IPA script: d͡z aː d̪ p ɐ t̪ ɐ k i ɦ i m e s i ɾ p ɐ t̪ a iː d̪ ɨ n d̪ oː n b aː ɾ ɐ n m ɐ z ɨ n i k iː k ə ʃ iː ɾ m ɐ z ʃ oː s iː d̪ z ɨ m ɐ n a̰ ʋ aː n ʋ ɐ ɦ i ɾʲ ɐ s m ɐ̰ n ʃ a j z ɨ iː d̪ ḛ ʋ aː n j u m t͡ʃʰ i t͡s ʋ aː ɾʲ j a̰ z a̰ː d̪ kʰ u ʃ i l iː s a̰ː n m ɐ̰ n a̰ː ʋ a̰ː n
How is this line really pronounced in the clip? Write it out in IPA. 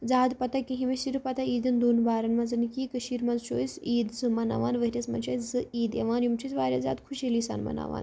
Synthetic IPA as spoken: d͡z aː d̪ p ɐ t̪ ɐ k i ɦ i m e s i ɾ p ɐ t̪ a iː d̪ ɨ n d̪ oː n b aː ɾ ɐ n m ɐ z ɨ n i k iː k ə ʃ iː ɾ m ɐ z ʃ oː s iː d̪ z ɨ m ɐ n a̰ ʋ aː n ʋ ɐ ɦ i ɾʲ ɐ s m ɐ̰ n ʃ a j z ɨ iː d̪ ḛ ʋ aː n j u m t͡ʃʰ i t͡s ʋ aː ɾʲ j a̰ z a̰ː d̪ kʰ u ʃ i l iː s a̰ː n m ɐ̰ n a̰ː ʋ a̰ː n